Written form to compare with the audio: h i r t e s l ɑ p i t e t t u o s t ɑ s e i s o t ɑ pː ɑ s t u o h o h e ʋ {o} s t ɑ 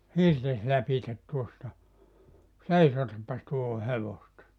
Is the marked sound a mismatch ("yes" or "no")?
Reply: no